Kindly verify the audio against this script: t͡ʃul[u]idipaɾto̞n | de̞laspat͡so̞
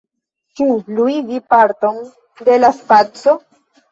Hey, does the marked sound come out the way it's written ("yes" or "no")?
yes